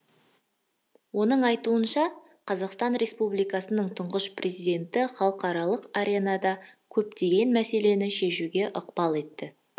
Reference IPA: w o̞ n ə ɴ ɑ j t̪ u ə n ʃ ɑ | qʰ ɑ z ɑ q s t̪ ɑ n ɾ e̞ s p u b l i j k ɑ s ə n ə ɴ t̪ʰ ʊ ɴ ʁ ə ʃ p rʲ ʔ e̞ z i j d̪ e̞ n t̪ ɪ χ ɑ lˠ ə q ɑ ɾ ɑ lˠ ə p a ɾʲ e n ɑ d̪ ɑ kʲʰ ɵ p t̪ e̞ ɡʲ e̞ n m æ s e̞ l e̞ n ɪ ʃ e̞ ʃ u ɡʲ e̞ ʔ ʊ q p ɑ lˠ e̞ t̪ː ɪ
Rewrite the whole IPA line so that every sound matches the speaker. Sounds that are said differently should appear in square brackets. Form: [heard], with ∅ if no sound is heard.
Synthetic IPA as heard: w o̞ n ə ɴ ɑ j t̪ u ə n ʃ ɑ | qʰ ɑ z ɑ q s t̪ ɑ n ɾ e̞ s p u b l i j k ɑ s ə n ə ɴ t̪ʰ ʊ ɴ ʁ ə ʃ p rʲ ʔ e̞ z i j d̪ e̞ n t̪ ɪ χ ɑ lˠ ə q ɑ ɾ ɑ lˠ ə [q] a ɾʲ e n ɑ d̪ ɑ kʲʰ ɵ p t̪ e̞ ɡʲ e̞ n m æ s e̞ l e̞ n ɪ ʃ e̞ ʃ u ɡʲ e̞ ʔ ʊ q p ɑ lˠ e̞ t̪ː ɪ

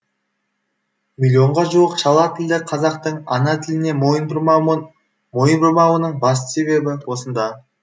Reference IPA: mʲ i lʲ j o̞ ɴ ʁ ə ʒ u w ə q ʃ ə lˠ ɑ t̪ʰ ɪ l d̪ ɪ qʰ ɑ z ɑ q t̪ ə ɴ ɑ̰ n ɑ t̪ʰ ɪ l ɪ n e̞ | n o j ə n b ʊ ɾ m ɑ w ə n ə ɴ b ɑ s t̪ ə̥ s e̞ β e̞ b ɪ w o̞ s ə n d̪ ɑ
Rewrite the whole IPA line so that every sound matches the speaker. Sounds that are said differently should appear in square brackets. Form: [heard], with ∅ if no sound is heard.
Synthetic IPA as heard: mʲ i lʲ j o̞ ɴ ʁ [ɑ] ʒ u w ə q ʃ [ɑ] lˠ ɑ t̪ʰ ɪ l d̪ ɪ qʰ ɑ z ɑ q t̪ ə ɴ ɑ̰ n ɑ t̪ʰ ɪ l ɪ n e̞ | [m] o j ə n b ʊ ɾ m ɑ w ə n ə ɴ b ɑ s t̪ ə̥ s e̞ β e̞ b ɪ w o̞ s ə n d̪ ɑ

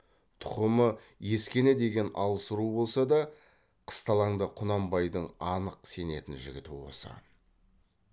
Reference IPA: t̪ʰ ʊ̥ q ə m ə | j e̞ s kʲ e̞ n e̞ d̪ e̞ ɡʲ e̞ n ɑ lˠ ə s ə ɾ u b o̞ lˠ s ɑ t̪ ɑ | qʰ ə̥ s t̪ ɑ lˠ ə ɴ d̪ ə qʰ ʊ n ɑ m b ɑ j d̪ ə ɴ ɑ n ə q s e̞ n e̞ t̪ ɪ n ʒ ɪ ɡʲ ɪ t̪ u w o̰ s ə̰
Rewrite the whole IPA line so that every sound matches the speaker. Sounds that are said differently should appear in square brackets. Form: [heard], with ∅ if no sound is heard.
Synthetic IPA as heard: t̪ʰ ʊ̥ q ə m ə | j e̞ s kʲ e̞ n e̞ d̪ e̞ ɡʲ e̞ n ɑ lˠ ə s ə ɾ u b o̞ lˠ s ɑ [d̪] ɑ | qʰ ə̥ s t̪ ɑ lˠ [ɑ] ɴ d̪ ə qʰ ʊ n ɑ m b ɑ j d̪ ə ɴ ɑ n ə q s e̞ n e̞ t̪ ɪ n ʒ ɪ ɡʲ ɪ t̪ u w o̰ s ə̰

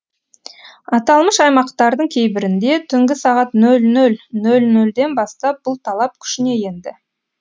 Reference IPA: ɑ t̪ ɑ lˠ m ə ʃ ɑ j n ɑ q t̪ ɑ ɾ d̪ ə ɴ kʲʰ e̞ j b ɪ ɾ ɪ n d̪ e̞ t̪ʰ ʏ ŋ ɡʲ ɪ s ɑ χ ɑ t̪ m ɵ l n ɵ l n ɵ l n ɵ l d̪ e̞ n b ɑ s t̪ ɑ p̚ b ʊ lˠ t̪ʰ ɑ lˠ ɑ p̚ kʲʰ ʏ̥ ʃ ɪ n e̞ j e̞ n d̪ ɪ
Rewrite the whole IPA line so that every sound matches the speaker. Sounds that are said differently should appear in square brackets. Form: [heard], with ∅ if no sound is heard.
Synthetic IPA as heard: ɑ t̪ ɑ lˠ m ə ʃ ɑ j [m] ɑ q t̪ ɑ ɾ d̪ ə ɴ kʲʰ e̞ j b ɪ ɾ ɪ n d̪ e̞ t̪ʰ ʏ ŋ ɡʲ ɪ s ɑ [ʁ] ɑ t̪ [n] ɵ l n ɵ l n ɵ l n ɵ l d̪ e̞ n b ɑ s t̪ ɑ p̚ b ʊ lˠ t̪ʰ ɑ lˠ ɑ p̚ kʲʰ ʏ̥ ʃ ɪ n e̞ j e̞ n d̪ ɪ

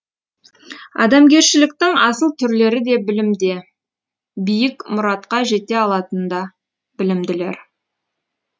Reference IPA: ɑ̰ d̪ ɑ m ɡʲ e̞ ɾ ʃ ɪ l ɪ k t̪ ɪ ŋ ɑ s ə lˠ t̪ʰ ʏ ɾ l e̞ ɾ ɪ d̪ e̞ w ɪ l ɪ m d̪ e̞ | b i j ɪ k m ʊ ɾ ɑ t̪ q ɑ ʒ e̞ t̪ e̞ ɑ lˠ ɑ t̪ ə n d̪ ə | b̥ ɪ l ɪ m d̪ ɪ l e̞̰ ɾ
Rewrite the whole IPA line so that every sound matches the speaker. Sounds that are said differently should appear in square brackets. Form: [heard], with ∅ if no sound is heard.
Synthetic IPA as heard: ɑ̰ d̪ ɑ m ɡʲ e̞ ɾ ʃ ɪ l ɪ k t̪ ɪ ŋ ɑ s ə lˠ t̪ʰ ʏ ɾ l e̞ ɾ ɪ d̪ e̞ [b] ɪ l ɪ m d̪ e̞ | b i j ɪ k m ʊ ɾ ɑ t̪ q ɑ ʒ e̞ t̪ e̞ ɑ lˠ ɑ t̪ ə n d̪ [ɑ] | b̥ ɪ l ɪ m d̪ ɪ l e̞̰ ɾ

